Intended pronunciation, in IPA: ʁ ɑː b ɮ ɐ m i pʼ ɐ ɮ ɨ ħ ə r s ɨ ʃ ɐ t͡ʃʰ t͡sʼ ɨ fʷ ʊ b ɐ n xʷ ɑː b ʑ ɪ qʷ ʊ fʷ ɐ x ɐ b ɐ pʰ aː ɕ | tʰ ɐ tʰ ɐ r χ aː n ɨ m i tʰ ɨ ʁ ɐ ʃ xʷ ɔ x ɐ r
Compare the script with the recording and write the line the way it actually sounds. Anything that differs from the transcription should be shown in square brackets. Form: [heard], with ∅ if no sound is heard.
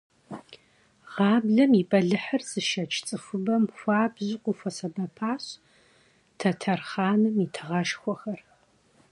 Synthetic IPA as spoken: ʁ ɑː b ɮ ɐ m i pʼ ɐ ɮ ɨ ħ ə r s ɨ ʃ ɐ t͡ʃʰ t͡sʼ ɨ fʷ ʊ b ɐ [m] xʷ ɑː b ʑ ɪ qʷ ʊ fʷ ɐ [s] ɐ b ɐ pʰ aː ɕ | tʰ ɐ tʰ ɐ r χ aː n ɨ m i tʰ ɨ ʁ ɐ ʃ xʷ ɔ x ɐ r